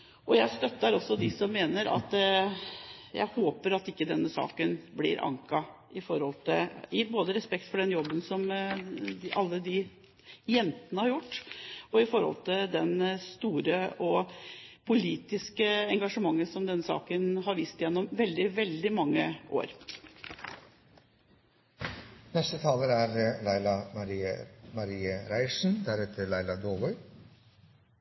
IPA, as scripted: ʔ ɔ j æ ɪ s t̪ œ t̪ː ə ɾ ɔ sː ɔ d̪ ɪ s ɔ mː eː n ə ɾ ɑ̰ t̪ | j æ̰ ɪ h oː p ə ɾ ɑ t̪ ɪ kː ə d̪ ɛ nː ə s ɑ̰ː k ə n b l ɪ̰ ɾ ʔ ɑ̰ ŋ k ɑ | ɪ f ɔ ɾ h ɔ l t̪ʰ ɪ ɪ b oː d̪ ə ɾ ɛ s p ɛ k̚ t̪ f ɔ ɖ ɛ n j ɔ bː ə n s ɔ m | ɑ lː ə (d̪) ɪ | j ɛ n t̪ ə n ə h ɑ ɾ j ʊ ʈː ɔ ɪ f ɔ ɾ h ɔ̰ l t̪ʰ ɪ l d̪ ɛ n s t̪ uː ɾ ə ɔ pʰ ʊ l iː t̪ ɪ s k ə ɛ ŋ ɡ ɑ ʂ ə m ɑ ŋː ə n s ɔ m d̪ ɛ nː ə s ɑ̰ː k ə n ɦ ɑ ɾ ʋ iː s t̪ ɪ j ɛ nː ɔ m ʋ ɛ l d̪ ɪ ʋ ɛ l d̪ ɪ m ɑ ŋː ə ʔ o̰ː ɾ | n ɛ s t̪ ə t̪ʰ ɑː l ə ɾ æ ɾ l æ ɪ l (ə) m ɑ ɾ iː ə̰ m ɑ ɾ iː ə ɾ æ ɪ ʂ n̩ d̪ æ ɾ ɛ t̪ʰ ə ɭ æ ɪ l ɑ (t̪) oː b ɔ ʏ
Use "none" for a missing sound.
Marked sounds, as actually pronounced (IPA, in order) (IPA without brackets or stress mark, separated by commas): d̪, ɑ, d̪